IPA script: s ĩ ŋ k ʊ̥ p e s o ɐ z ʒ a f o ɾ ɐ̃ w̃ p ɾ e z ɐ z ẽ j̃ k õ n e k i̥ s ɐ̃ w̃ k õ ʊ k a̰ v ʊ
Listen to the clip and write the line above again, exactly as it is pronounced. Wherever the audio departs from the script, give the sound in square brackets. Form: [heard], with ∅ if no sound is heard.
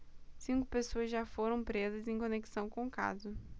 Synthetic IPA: s ĩ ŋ k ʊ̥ p e s o ɐ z ʒ a f o ɾ ɐ̃ w̃ p ɾ e z ɐ z ẽ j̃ k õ n e k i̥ s ɐ̃ w̃ k õ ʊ k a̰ [z] ʊ